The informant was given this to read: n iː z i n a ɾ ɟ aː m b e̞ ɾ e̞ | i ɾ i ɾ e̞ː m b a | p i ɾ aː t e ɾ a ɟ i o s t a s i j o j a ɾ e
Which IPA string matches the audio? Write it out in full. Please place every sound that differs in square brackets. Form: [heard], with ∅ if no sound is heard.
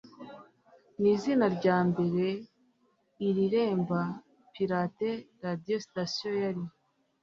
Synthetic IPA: n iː z i n a ɾ ɟ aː m b e̞ ɾ e̞ | i ɾ i ɾ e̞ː m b a | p i ɾ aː t e ɾ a [d] i o s t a s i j o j a ɾ [i]

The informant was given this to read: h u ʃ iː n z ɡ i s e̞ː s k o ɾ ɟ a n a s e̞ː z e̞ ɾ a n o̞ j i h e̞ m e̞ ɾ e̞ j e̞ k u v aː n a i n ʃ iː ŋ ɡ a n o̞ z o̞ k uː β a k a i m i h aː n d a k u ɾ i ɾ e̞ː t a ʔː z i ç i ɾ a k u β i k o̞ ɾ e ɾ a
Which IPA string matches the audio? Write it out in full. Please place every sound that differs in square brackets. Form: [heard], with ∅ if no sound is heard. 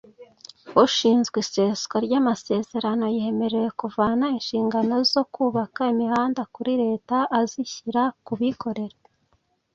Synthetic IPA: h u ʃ iː n z ɡ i s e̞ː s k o ɾ ɟ a [m] a s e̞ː z e̞ ɾ a n o̞ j i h e̞ m e̞ ɾ e̞ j e̞ k u v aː n a i n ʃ iː ŋ ɡ a n o̞ z o̞ k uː β a k a i m i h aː n d a k u ɾ i ɾ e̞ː t a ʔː z i ç i ɾ a k u β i k o̞ ɾ e ɾ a

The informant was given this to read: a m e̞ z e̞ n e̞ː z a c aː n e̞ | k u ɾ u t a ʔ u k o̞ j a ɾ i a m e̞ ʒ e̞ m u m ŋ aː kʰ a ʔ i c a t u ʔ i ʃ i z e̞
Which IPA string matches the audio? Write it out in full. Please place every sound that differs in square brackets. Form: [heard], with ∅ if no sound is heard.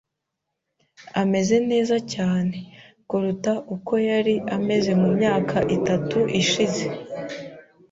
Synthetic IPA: a m e̞ z e̞ n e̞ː z a c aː n e̞ | k u ɾ u t a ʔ u k o̞ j a ɾ i a m e̞ [z] e̞ m u m [ɲ] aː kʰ a ʔ i [t] a t u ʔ i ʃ i z e̞

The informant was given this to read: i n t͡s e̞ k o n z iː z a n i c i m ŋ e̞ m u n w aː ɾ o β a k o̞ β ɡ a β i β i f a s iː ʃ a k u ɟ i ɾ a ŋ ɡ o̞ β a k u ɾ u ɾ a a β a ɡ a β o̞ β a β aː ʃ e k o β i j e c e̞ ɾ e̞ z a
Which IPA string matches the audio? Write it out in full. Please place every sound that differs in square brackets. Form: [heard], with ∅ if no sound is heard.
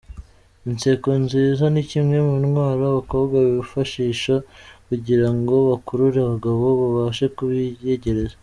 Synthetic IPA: i n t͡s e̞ k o n z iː z a n i c i m ŋ e̞ m u n w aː ɾ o β a k o̞ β ɡ a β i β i f a [ʃ] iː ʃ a k u ɟ i ɾ a ŋ ɡ o̞ β a k u ɾ u ɾ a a β a ɡ a β o̞ β a β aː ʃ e k [u] β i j e [ɟ] e̞ ɾ e̞ z a

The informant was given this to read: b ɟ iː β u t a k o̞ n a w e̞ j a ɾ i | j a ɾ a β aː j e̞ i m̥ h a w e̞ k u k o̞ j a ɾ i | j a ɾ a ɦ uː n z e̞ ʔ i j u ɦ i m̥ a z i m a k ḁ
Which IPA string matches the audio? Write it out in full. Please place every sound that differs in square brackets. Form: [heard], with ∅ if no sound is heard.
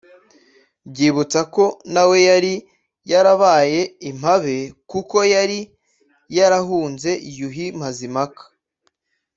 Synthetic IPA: b ɟ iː β u [t͡s] a k o̞ n a w e̞ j a ɾ i | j a ɾ a β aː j e̞ i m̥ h a [β] e̞ k u k o̞ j a ɾ i | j a ɾ a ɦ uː n z e̞ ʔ i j u ɦ i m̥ a z i m a k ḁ

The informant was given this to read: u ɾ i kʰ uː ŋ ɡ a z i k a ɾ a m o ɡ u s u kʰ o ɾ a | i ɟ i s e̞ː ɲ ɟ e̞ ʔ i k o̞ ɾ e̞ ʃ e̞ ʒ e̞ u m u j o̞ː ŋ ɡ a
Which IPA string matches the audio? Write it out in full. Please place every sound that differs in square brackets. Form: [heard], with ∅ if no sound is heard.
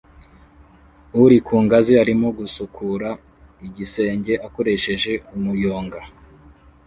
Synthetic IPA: u ɾ i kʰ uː ŋ ɡ a z i [∅] a ɾ [i] m o ɡ u s u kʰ [u] ɾ a | i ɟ i s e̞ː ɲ ɟ e̞ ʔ [a] k o̞ ɾ e̞ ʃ e̞ ʒ e̞ u m u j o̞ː ŋ ɡ a

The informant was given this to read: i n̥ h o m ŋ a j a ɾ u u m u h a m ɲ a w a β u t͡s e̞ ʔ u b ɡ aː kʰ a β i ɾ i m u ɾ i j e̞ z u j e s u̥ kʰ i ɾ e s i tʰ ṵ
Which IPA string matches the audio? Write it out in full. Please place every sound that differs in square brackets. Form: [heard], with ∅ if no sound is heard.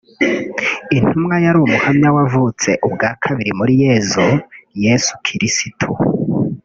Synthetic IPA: i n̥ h [u] m ŋ a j a ɾ u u m u h a m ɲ a w a [v] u t͡s e̞ ʔ u b ɡ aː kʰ a β i ɾ i m u ɾ i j e̞ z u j e s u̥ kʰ i ɾ [i] s i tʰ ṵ

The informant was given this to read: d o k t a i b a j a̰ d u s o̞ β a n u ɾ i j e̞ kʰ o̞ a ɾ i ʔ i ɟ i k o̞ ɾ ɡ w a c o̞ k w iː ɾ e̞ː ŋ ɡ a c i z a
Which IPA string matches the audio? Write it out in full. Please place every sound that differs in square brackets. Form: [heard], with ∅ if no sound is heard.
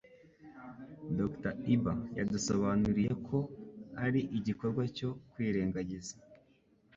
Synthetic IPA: d o k t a i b a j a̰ d u s o̞ β a n u ɾ i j e̞ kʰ o̞ a ɾ i ʔ i ɟ i k o̞ ɾ ɡ w a c o̞ k w iː ɾ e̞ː ŋ ɡ a [ɟ] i z a

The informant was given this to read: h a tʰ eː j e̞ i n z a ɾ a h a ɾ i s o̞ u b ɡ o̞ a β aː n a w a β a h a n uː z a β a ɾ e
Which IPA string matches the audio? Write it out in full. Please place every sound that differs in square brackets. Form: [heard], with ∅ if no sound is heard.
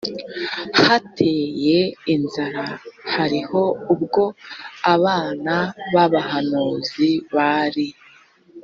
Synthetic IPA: h a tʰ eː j e̞ i n z a ɾ a h a ɾ i [h] o̞ u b ɡ o̞ a β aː n a [β] a β a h a n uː z [i] β a ɾ [i]

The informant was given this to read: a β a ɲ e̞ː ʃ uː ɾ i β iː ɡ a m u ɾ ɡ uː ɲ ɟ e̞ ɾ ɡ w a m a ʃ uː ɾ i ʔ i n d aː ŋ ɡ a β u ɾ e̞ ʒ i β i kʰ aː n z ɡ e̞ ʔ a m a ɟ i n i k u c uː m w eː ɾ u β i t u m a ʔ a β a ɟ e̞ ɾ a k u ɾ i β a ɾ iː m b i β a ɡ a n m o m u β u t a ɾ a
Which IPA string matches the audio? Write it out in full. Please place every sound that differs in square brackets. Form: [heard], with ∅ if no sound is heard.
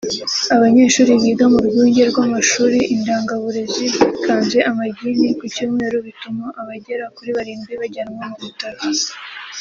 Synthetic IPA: a β a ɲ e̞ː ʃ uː ɾ i β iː ɡ a m u ɾ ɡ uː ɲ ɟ e̞ ɾ ɡ w a m a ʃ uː ɾ i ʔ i n d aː ŋ ɡ a β u ɾ e̞ [z] i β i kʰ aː n z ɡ e̞ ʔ a m a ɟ i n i k u c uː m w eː ɾ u β i t u m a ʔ a β a ɟ e̞ ɾ a k u ɾ i β a ɾ iː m b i β a [ɟ] a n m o m u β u t a ɾ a

